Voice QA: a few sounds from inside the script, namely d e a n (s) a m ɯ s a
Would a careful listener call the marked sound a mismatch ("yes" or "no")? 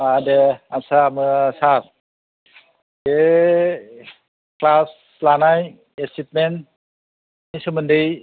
no